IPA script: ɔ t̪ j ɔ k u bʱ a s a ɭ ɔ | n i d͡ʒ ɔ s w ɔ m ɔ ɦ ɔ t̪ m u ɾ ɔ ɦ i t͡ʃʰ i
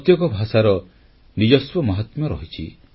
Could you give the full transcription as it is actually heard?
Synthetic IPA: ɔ t̪ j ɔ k ɔ bʱ a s a ɾ ɔ | n i d͡ʒ ɔ s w ɔ m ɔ ɦ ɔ t̪ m ɔ ɾ ɔ ɦ i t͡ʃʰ i